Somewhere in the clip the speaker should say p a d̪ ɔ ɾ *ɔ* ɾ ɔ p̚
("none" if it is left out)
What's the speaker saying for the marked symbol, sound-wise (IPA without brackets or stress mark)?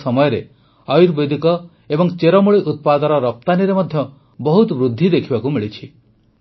ɔ